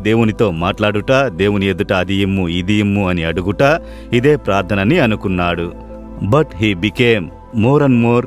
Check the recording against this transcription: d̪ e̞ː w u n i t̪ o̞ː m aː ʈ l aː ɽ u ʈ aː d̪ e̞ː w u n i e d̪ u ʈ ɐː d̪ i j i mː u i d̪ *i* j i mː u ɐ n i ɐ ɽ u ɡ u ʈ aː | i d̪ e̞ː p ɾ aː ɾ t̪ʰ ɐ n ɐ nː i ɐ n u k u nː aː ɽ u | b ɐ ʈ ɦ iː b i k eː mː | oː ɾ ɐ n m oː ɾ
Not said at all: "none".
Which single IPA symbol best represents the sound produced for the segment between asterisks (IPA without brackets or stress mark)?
i